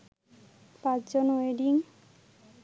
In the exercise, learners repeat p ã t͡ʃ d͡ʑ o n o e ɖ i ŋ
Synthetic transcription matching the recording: p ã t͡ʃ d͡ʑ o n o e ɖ i ŋ